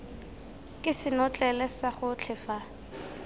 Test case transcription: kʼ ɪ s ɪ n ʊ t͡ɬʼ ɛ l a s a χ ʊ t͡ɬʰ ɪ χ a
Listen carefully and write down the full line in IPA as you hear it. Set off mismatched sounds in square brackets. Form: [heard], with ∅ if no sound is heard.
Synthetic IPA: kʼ ɪ s ɪ n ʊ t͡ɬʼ ɛ l [ɛ] s a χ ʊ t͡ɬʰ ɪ [f] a